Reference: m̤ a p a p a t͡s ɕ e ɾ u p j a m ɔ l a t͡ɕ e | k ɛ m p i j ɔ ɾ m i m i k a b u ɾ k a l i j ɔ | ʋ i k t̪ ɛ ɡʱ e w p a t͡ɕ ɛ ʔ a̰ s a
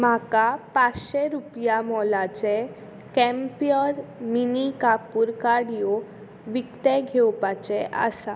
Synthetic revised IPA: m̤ a k a p a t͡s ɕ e ɾ u p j a m ɔ l a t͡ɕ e | k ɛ m p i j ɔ ɾ m i n i k a p u ɾ k a ɽ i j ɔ | ʋ i k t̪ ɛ ɡʱ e w p a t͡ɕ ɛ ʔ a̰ s a